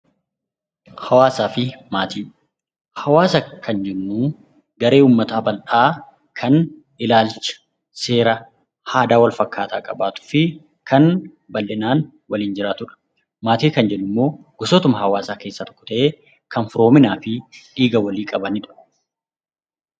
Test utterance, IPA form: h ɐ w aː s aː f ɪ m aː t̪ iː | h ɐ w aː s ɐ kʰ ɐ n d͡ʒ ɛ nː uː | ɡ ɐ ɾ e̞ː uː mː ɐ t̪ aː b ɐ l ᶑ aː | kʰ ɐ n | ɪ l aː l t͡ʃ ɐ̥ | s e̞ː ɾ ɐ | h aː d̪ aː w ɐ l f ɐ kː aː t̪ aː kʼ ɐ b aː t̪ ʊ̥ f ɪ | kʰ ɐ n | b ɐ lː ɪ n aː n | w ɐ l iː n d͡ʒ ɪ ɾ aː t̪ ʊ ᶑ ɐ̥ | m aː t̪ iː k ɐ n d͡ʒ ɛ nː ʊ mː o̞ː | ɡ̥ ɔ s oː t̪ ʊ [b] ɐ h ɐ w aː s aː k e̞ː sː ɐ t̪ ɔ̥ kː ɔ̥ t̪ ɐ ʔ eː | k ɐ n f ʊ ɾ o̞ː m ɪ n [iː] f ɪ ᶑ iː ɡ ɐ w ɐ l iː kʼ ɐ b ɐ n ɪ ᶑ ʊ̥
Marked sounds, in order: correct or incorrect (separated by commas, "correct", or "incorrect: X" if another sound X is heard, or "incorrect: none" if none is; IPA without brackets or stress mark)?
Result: incorrect: m, incorrect: aː